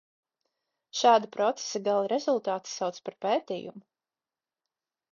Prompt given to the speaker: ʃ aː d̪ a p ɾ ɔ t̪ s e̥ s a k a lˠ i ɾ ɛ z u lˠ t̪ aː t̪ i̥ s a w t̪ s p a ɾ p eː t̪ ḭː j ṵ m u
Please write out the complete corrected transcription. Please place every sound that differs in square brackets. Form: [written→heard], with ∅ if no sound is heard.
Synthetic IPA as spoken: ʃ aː d̪ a p ɾ ɔ t̪ s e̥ s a [k→ɡ] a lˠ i ɾ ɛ z u lˠ t̪ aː t̪ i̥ s a w t̪ s p a ɾ p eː t̪ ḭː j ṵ m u